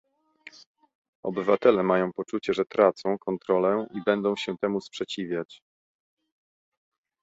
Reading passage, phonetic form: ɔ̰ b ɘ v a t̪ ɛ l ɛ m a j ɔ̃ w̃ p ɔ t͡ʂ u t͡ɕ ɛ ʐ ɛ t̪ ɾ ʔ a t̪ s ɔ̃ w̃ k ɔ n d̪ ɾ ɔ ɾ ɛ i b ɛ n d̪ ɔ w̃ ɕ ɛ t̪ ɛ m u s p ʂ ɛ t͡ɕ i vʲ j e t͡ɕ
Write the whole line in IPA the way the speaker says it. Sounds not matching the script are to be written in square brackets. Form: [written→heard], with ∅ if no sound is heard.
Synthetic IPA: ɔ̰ b ɘ v a t̪ ɛ l ɛ m a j ɔ̃ w̃ p ɔ t͡ʂ u t͡ɕ ɛ ʐ ɛ t̪ ɾ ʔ a t̪ s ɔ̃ w̃ k ɔ n [d̪→t̪] ɾ ɔ [ɾ→l] ɛ i b ɛ n d̪ [ɔ→ɔ̃] w̃ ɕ ɛ t̪ ɛ m u s p ʂ ɛ t͡ɕ i vʲ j [e→a] t͡ɕ